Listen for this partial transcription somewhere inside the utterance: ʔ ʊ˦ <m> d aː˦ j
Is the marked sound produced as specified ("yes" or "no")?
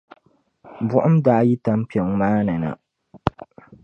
yes